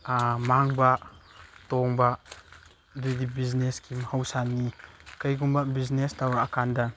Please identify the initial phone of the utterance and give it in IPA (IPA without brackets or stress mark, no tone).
m